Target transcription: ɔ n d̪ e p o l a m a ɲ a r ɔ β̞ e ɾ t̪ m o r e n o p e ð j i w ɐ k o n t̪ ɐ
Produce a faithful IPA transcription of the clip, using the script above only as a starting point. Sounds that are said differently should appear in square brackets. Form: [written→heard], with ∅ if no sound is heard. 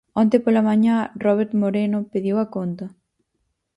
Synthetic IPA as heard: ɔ n [d̪→t̪] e p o l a m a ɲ a r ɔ β̞ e ɾ t̪ m o [r→ɾ] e n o p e ð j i w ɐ k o n t̪ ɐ